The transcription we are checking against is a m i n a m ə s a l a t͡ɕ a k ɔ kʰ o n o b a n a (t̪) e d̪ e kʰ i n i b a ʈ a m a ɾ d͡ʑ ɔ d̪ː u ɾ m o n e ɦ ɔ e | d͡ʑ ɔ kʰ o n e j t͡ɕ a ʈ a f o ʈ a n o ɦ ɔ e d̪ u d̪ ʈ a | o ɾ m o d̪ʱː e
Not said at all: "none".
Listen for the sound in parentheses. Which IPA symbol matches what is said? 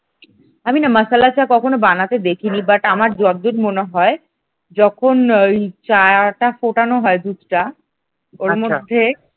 t̪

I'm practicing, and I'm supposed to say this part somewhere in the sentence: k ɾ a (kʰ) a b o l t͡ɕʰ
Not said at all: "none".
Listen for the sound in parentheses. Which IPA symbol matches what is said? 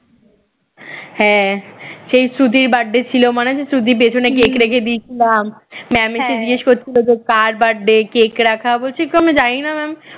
kʰ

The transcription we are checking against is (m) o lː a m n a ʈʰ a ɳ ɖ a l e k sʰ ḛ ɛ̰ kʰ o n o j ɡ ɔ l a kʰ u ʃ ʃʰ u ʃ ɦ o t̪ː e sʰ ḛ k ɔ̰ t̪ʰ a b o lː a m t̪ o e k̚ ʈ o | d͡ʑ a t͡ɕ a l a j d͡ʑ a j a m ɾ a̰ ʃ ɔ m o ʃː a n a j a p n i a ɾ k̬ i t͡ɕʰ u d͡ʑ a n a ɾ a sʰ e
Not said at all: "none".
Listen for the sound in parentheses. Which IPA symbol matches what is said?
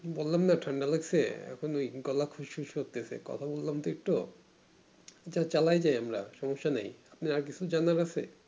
b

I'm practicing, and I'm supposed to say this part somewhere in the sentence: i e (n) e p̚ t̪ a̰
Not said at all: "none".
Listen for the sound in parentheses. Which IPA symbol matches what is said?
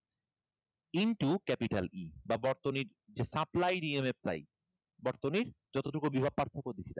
m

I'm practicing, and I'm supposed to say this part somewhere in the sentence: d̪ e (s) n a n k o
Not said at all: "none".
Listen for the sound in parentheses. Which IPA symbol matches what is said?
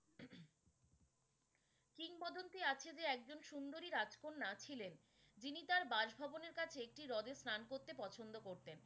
s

